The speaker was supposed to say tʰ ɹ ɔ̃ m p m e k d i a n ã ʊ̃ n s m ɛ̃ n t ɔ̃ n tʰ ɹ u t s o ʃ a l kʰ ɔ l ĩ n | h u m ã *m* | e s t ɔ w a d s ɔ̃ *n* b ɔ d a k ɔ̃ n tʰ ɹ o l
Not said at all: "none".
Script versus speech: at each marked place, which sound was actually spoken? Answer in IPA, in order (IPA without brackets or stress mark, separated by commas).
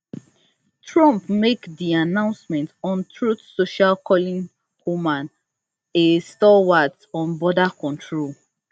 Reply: n, n